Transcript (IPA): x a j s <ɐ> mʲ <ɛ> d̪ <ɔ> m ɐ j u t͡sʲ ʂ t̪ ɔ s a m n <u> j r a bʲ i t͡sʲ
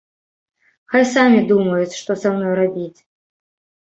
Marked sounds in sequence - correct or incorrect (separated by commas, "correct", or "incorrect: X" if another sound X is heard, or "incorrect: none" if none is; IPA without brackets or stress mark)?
incorrect: a, incorrect: i, incorrect: u, incorrect: ɔ